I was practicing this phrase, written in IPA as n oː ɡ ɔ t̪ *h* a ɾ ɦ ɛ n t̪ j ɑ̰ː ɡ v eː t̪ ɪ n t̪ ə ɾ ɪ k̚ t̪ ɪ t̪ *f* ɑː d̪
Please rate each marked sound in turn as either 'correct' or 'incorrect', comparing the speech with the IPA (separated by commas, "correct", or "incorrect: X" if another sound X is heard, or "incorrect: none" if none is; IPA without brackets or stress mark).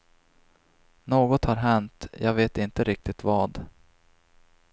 correct, incorrect: v